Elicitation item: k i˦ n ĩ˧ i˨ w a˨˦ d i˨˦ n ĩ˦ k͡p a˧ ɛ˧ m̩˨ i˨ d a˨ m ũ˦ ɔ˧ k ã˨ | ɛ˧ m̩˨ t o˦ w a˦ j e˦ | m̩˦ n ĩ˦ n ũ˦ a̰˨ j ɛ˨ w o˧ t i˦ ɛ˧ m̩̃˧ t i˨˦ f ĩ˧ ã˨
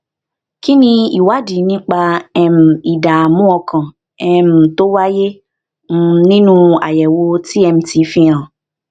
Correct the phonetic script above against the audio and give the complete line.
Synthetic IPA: k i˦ n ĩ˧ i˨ w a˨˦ d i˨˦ n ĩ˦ k͡p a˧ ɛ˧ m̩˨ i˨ d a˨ m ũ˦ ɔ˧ k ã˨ | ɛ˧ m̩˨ t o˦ w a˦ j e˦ | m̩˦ n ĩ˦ n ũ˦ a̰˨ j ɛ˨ w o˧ t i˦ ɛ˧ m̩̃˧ t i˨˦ f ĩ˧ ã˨